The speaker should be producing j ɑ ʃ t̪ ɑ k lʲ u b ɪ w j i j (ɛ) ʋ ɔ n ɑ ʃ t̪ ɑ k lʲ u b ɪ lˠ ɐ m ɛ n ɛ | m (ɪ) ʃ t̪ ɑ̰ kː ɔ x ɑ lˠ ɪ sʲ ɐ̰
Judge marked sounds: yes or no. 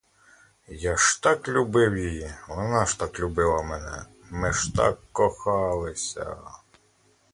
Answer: no, yes

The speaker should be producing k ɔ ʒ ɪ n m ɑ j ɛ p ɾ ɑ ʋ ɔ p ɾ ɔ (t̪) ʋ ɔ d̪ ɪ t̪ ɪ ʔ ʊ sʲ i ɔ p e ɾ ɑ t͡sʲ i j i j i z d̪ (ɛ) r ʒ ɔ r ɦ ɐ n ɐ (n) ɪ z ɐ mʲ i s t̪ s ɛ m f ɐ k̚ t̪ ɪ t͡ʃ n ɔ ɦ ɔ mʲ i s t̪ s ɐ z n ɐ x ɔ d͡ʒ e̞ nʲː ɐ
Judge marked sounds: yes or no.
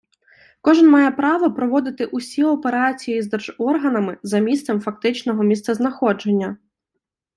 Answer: no, yes, no

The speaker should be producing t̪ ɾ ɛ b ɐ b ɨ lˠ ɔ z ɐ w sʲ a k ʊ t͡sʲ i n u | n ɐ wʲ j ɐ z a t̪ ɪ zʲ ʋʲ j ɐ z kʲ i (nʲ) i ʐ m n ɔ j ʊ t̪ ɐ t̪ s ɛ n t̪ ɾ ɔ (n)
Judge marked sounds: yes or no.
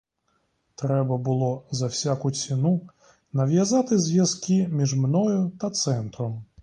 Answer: no, no

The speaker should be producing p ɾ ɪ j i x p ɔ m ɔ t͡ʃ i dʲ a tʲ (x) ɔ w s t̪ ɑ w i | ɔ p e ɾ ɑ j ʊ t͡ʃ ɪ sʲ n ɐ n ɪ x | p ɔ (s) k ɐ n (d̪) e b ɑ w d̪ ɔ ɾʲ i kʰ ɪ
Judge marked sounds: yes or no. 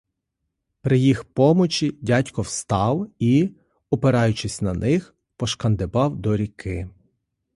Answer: no, no, yes

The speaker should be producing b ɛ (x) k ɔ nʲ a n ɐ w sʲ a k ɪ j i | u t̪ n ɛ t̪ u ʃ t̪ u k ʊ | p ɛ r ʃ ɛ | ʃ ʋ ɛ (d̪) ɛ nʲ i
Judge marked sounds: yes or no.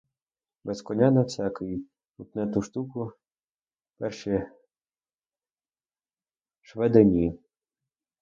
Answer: no, yes

